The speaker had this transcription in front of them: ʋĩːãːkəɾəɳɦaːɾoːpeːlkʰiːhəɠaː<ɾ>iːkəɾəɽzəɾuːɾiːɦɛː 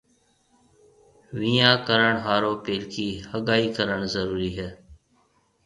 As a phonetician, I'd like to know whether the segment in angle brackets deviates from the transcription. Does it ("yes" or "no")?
yes